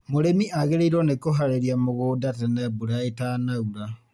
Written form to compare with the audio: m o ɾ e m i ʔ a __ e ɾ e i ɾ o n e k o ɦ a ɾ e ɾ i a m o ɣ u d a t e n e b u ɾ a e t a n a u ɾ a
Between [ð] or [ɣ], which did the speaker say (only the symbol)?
ɣ